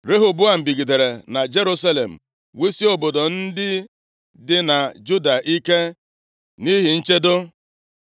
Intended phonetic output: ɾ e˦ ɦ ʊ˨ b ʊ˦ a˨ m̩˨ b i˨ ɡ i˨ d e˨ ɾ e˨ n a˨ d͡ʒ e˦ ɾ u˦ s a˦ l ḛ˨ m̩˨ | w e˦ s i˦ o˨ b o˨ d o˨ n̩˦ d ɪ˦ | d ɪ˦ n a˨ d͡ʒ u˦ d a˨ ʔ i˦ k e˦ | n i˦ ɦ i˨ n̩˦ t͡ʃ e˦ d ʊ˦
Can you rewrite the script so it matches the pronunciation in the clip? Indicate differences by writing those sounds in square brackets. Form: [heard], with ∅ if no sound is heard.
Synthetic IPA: ɾ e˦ ɦ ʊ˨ b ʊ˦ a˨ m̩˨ b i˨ ɡ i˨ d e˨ ɾ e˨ n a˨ d͡ʒ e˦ ɾ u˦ s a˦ l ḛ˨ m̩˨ | w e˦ s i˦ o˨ b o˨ d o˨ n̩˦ d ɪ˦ | d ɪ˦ n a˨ d͡ʒ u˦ d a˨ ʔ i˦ k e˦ | n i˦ ɦ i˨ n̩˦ t͡ʃ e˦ d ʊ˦